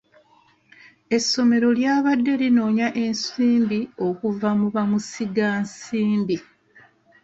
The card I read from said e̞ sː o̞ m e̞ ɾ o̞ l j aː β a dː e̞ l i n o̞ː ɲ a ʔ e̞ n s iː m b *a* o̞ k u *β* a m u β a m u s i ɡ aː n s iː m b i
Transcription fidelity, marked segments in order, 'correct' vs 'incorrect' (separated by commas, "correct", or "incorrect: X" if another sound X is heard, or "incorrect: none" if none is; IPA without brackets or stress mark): incorrect: i, incorrect: v